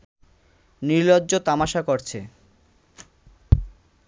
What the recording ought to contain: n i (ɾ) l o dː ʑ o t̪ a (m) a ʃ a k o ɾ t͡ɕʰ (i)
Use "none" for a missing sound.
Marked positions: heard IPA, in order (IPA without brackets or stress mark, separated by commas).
ɾ, m, e